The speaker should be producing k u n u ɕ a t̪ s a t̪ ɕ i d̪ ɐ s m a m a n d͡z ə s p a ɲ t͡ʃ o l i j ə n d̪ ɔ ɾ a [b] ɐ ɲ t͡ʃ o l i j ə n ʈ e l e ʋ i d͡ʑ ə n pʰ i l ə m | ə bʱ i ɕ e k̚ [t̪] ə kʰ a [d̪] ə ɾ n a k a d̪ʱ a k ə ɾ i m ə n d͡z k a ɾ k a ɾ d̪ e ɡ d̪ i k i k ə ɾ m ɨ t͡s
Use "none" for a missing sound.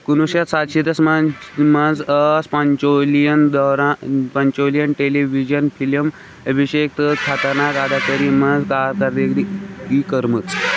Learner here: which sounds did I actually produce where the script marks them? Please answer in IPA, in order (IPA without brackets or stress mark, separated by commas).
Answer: p, t̪, t̪